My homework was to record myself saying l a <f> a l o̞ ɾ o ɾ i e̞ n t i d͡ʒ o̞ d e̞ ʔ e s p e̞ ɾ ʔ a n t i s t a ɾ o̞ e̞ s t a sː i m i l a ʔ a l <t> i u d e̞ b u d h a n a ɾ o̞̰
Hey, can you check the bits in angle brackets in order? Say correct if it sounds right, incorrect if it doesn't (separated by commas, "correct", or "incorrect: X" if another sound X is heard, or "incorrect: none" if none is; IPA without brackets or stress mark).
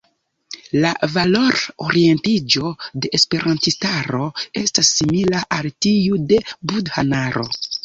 incorrect: v, correct